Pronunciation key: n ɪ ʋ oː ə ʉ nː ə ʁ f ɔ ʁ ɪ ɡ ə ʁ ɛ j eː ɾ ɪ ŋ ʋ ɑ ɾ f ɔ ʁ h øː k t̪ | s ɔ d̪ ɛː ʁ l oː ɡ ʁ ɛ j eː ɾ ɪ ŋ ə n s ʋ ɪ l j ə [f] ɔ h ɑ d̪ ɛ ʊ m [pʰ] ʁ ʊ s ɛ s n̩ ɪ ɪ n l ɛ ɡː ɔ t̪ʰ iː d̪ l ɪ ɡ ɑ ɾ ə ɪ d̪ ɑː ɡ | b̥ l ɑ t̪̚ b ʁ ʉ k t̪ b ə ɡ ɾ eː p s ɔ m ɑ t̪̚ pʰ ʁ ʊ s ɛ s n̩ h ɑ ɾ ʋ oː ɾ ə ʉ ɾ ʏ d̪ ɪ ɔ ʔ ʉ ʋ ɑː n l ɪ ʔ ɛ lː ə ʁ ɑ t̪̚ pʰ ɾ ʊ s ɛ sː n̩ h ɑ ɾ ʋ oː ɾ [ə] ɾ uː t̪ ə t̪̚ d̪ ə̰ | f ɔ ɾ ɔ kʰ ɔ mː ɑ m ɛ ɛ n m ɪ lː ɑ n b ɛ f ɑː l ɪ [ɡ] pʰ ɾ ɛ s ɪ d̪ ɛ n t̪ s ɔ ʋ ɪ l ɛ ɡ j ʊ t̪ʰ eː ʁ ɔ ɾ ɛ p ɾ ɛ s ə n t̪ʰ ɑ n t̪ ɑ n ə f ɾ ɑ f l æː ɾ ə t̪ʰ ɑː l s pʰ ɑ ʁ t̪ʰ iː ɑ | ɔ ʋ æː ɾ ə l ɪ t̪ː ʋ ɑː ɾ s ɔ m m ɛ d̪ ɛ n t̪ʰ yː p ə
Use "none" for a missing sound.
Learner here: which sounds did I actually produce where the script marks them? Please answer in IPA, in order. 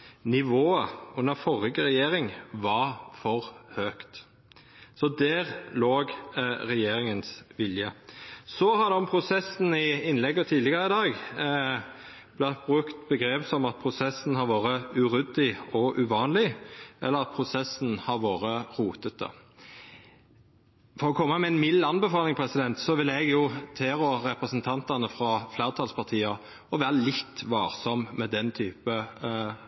s, pʰ, ə, ŋ

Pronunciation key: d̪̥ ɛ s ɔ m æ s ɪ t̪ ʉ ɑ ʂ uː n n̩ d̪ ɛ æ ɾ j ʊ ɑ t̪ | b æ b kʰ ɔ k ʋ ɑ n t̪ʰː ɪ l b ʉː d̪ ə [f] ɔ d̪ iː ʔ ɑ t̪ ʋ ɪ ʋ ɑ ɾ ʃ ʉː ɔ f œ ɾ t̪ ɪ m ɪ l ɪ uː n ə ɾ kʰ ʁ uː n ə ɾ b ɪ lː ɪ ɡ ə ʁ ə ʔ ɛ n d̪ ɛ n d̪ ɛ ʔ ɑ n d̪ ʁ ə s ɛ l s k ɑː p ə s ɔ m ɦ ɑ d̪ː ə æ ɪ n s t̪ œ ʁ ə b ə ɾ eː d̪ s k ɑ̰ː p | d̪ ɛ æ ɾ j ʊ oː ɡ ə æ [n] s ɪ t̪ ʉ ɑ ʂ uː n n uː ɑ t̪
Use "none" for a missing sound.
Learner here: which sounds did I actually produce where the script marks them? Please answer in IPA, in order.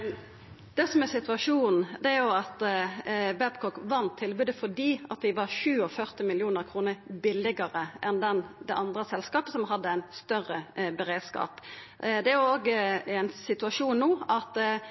f, n

